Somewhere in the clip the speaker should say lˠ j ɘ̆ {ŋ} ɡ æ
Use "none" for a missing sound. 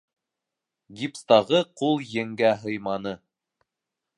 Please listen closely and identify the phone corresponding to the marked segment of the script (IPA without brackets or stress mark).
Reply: ŋ